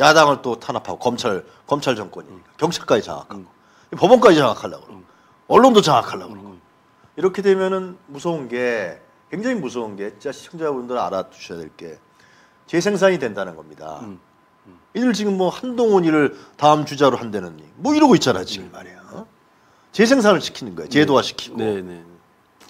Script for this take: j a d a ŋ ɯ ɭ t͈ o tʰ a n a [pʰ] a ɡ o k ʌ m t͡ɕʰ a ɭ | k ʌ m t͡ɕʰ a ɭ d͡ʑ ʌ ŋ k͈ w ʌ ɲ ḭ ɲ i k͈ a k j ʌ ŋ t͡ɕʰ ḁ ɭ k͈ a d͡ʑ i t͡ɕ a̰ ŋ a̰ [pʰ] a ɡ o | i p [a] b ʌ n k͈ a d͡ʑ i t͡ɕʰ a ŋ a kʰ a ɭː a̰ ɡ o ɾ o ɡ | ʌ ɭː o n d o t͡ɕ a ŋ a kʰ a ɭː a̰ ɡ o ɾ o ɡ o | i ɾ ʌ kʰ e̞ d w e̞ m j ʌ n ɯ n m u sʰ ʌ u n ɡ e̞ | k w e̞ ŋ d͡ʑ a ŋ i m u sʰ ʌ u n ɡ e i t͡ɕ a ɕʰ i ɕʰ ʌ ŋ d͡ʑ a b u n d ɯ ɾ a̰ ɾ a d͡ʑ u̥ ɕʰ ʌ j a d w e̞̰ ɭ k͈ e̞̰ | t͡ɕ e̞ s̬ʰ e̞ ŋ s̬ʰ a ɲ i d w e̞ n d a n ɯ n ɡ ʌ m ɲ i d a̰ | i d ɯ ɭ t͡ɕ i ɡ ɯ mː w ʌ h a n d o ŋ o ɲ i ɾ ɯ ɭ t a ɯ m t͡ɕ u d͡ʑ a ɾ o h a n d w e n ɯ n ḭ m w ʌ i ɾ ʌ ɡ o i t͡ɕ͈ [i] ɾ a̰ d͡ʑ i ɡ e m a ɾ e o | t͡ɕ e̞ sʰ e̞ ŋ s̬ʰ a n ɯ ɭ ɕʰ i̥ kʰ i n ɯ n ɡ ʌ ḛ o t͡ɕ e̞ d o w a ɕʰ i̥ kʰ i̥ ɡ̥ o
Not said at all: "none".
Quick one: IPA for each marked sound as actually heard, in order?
pʰ, kʰ, ʌ, a

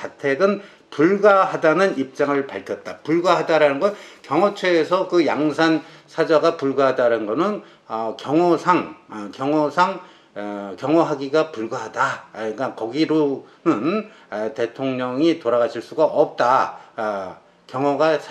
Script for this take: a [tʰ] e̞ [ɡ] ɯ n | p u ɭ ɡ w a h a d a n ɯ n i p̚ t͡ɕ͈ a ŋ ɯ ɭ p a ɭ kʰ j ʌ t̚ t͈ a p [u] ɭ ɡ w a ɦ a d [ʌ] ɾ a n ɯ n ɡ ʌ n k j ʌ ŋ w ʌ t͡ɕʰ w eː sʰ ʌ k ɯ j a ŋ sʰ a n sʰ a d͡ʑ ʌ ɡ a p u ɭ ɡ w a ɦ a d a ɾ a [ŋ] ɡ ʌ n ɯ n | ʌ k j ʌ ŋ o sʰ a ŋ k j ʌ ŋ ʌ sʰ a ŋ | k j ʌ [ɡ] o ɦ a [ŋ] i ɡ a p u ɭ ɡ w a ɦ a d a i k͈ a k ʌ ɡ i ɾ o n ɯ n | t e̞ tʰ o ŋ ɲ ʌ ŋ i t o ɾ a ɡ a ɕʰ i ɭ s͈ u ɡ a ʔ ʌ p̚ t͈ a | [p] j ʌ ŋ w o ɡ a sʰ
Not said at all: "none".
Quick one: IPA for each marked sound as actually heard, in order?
tʰ, ɡ, u, a, n, ŋ, ɡ, k

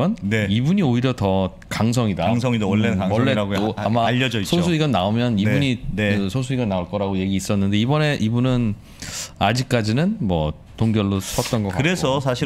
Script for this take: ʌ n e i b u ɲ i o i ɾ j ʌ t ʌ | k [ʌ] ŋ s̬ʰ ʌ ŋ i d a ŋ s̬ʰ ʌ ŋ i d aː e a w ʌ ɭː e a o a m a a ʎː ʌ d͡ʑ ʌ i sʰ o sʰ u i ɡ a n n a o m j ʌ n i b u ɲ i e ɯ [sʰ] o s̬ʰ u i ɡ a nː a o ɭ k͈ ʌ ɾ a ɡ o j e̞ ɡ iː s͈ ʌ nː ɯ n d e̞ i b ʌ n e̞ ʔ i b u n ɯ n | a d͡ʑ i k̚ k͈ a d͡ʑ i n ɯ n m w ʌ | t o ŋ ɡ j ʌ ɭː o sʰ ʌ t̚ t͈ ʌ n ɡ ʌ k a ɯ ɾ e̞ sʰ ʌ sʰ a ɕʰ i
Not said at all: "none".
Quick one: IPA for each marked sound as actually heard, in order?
a, sʰ

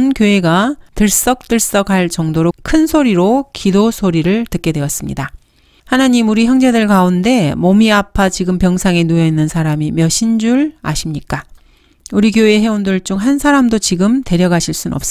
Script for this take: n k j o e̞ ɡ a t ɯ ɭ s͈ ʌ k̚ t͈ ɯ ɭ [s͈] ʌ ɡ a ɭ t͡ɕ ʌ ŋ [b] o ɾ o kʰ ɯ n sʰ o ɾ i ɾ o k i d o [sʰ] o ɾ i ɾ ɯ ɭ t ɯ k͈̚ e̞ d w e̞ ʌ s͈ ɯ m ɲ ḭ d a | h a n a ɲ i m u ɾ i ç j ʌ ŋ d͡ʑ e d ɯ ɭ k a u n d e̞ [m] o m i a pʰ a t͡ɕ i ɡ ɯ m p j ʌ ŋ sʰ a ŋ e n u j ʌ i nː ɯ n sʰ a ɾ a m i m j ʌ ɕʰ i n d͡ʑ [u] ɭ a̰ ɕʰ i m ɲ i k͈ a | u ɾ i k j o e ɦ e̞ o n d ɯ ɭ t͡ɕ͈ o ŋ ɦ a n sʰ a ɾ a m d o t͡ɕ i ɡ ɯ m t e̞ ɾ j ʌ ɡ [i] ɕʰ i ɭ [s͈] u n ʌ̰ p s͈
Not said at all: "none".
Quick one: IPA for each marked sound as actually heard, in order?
s͈, d, sʰ, m, u, a, s͈

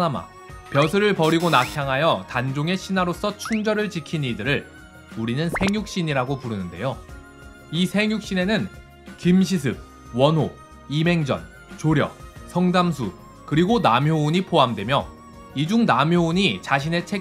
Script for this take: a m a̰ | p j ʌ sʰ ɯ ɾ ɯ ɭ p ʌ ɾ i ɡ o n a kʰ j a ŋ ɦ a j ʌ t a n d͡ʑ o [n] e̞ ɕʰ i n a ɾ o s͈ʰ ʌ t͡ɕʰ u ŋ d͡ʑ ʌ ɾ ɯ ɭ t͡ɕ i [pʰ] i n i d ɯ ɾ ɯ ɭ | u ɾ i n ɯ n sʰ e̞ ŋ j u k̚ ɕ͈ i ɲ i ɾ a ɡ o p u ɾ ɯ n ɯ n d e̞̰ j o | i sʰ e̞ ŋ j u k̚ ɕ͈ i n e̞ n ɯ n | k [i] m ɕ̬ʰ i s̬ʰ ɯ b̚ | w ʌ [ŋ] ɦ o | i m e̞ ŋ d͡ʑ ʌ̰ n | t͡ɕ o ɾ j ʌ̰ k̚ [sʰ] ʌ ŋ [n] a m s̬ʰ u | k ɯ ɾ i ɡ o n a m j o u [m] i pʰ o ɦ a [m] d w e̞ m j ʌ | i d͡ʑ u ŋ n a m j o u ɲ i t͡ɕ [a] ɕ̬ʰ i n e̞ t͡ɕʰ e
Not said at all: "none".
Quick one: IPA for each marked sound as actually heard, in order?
ŋ, kʰ, i, n, sʰ, d, ɲ, m, a

